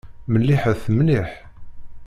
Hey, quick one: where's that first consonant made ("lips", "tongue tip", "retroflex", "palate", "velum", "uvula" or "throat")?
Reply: lips